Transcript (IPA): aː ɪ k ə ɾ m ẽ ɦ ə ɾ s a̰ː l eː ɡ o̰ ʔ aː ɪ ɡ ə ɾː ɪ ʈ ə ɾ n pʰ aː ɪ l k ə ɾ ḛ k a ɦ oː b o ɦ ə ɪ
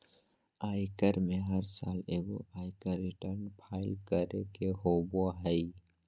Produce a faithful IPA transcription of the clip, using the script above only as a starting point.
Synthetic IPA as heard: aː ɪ k ə ɾ m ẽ ɦ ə ɾ s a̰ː l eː ɡ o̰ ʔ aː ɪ k ə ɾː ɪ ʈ ə ɾ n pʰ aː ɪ l k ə ɾ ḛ k e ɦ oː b o ɦ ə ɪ

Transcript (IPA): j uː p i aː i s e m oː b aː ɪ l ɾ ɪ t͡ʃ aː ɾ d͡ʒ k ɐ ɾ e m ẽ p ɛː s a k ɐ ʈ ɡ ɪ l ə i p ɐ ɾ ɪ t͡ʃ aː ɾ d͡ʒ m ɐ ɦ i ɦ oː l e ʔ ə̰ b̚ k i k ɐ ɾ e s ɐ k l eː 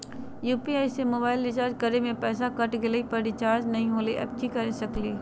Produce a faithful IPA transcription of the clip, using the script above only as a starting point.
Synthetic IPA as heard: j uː p i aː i s e m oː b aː ɪ l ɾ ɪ t͡ʃ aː ɾ d͡ʒ k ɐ ɾ e m ẽ p ɛː s a k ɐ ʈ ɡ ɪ l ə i p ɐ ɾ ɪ t͡ʃ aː ɾ d͡ʒ n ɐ ɦ ĩ ɦ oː l e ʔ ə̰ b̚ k i k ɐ ɾ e s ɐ k l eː

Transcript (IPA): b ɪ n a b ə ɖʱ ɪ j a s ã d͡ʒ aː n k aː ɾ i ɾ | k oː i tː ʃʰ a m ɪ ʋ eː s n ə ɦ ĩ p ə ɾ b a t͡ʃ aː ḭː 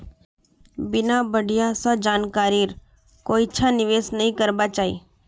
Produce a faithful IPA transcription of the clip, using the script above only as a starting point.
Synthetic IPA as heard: b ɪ n a b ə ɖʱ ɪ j a s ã d͡ʒ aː n k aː ɾ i ɾ | k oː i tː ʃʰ a n ɪ ʋ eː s n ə ɦ ĩ k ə ɾ b a t͡ʃ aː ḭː

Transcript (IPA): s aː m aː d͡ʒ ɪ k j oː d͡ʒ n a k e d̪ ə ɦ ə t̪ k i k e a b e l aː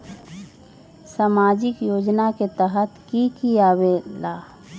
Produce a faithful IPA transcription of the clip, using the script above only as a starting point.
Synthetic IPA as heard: s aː m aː d͡ʒ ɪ k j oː d͡ʒ n a k e t̪ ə ɦ ə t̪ k i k i a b e l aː

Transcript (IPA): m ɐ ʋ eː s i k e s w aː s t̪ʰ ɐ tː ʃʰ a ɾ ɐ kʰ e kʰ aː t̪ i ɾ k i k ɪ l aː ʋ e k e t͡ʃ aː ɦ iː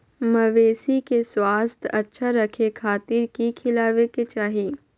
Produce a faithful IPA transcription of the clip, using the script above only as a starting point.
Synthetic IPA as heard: m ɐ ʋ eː s i k e s w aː s t̪ʰ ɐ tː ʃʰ a ɾ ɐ kʰ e kʰ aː t̪ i ɾ k i kʰ ɪ l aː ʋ e k e t͡ʃ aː ɦ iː

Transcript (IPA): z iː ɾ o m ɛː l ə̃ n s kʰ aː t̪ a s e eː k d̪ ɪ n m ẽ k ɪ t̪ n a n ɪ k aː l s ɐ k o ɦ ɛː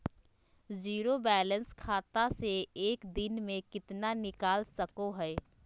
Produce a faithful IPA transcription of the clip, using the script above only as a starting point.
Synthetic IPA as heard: z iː ɾ o b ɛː l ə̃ n s kʰ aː t̪ a s e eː k d̪ ɪ n m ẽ k ɪ t̪ n a n ɪ k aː l s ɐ k o ɦ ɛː

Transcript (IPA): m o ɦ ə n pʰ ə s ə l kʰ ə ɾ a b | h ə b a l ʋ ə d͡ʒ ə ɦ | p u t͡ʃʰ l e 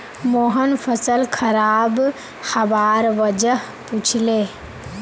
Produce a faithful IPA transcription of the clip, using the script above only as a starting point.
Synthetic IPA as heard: m o ɦ ə n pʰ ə s ə l kʰ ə ɾ a b | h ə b a ɾ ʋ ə d͡ʒ ə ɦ | p u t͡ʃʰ l e

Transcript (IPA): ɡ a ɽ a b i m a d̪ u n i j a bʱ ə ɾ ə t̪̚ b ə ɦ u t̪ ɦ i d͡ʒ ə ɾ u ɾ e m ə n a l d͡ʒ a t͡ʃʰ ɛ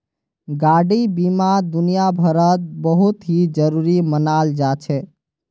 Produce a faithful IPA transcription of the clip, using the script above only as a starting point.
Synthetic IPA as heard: ɡ a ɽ i b i m a d̪ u n i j a bʱ ə ɾ ə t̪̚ b ə ɦ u t̪ ɦ i d͡ʒ ə ɾ u ɾ i m ə n a l d͡ʒ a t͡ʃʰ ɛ

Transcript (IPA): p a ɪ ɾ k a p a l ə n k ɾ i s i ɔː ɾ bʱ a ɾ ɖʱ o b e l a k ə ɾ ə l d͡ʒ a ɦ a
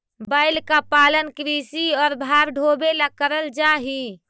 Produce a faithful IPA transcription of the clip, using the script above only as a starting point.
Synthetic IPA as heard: b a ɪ l k a p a l ə n k ɾ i s i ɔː ɾ bʱ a ɾ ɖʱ o b e l a k ə ɾ ə l d͡ʒ a ɦ i

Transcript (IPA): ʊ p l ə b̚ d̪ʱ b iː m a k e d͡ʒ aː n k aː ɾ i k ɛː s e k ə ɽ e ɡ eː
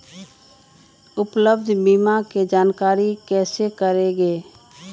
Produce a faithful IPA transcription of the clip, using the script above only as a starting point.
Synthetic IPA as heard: ʊ p l ə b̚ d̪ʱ b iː m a k e d͡ʒ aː n k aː ɾ i k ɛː s e k ə ɾ e ɡ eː

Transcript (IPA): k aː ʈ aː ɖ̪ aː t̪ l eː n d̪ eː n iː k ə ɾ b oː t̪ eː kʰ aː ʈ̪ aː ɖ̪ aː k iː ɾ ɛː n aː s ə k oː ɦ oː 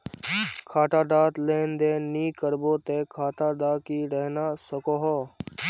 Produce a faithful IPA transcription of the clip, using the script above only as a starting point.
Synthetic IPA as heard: kʰ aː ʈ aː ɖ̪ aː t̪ l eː n d̪ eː n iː k ə ɾ b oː t̪ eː kʰ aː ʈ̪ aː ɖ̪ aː k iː ɾ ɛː n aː s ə k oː ɦ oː

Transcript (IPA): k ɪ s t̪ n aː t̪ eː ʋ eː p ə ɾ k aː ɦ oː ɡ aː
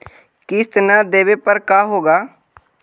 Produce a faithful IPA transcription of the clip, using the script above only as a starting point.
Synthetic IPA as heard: k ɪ s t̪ n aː d̪ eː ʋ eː p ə ɾ k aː ɦ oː ɡ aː

